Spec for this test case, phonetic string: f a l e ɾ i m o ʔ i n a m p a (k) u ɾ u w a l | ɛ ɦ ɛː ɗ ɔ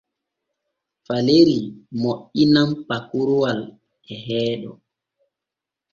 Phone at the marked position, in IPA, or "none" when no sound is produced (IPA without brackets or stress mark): k